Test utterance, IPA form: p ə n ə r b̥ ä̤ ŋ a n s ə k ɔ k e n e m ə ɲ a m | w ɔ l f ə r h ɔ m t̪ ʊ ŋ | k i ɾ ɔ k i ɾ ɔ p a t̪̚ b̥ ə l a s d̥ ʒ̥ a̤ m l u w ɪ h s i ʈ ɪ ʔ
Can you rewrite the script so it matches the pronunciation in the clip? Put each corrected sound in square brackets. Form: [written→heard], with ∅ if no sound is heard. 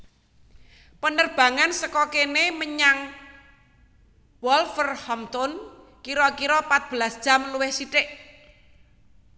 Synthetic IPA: p ə n ə r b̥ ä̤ ŋ a n s ə k ɔ k e n e m ə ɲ a [m→ŋ] | w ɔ l f ə r h ɔ m t̪ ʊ [ŋ→n] | k i ɾ ɔ k i ɾ ɔ p a t̪̚ b̥ ə l a s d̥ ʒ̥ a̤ m l u w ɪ h s i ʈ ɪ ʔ